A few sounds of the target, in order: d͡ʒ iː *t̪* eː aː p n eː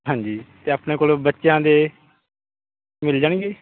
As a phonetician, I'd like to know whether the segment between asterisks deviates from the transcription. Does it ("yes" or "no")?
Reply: no